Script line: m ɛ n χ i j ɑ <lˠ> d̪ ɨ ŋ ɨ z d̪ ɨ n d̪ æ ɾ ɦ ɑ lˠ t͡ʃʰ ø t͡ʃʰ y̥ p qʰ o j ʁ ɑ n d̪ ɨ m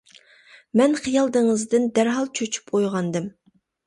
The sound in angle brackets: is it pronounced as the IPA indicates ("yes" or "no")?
yes